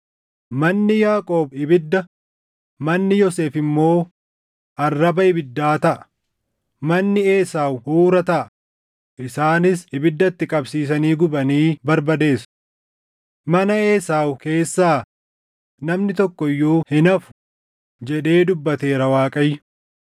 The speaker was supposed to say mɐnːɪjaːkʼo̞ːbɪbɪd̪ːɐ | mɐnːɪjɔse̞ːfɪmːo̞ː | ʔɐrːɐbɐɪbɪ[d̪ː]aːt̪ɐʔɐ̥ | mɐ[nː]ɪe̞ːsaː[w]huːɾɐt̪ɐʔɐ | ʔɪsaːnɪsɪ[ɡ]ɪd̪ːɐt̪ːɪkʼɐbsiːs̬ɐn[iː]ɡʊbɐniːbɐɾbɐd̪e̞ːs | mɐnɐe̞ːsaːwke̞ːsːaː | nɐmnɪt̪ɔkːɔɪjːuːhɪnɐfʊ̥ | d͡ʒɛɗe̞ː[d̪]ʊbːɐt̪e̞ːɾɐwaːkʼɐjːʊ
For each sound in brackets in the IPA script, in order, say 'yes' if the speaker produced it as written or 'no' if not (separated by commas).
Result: yes, yes, yes, no, yes, yes